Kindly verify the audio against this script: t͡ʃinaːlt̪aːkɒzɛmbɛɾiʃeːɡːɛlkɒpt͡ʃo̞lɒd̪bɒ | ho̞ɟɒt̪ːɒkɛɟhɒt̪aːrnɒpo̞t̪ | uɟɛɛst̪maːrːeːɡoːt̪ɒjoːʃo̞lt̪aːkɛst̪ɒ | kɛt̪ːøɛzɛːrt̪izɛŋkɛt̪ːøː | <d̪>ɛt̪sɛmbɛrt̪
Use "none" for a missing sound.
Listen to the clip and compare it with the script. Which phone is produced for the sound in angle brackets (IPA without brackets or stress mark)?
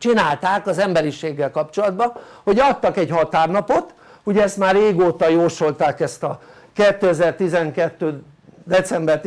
d̪